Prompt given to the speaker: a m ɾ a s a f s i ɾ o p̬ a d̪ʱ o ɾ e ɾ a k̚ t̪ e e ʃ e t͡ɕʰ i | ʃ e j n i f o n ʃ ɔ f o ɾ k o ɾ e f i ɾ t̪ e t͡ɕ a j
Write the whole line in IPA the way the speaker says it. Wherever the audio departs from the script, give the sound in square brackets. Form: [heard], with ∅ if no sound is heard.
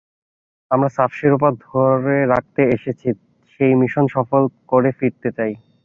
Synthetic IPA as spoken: a m ɾ a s a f [ʃ] i ɾ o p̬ a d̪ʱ o ɾ e ɾ a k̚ t̪ e e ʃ e t͡ɕʰ i | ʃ e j [m] i [ʃ] o n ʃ ɔ f o [l] k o ɾ e f i ɾ t̪ e t͡ɕ a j